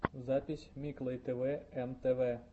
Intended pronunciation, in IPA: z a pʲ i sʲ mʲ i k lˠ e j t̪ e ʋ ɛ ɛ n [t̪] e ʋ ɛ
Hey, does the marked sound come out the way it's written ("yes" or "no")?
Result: yes